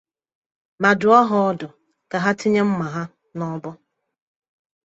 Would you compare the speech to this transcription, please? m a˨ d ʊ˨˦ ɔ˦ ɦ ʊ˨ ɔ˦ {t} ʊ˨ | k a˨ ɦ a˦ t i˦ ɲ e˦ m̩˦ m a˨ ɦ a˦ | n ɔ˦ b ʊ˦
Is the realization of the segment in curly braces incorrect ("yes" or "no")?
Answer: yes